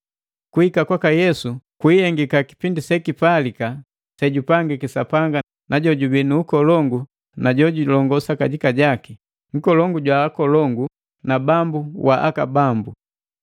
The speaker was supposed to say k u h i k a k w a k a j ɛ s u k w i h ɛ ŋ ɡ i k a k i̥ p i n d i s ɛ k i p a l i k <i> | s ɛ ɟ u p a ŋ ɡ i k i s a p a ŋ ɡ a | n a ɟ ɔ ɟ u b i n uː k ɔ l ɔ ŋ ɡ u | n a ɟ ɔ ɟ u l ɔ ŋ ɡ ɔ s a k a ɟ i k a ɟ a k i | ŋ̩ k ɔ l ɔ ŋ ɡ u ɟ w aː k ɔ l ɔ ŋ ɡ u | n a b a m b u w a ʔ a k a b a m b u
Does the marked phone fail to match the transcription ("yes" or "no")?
yes